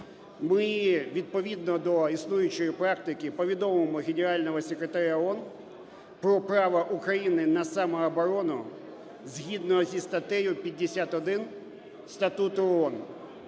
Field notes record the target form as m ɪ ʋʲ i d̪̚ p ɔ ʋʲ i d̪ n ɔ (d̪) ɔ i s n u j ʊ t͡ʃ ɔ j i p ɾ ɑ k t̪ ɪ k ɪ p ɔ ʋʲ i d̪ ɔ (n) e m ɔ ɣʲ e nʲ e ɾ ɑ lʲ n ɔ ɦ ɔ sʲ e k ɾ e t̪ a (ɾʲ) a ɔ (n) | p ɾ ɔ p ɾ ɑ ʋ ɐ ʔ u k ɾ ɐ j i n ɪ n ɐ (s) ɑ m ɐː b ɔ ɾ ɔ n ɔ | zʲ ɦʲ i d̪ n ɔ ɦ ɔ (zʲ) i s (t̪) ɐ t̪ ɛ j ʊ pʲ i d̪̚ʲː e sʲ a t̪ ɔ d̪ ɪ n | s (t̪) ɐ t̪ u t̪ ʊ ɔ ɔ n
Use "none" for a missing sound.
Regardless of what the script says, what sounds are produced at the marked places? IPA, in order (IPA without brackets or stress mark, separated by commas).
d̪, m, ɾʲ, n, s, zʲ, t̪, t̪